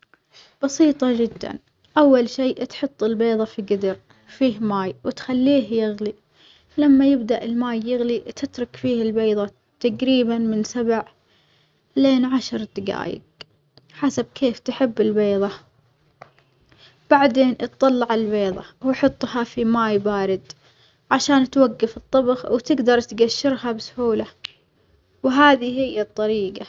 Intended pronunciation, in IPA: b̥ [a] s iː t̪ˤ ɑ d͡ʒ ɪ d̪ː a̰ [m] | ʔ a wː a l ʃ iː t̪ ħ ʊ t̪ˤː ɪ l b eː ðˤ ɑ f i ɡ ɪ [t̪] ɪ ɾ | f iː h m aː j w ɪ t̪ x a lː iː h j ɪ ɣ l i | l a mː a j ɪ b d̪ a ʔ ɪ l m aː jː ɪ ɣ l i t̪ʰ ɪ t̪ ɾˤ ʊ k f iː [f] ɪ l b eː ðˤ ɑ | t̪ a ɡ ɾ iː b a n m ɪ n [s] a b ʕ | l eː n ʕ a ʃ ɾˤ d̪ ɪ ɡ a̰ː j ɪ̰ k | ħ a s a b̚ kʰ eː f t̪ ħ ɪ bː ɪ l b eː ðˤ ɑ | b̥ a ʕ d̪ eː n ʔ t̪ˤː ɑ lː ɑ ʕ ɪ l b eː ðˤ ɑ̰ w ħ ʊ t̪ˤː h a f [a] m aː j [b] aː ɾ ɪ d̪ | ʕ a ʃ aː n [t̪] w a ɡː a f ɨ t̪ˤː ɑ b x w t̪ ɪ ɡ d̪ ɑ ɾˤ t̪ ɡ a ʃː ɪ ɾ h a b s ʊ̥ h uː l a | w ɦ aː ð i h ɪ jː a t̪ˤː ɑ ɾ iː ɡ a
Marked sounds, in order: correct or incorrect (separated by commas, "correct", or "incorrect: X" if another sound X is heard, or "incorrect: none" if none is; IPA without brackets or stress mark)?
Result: incorrect: ɑ, incorrect: n, incorrect: d̪, incorrect: h, correct, incorrect: i, correct, correct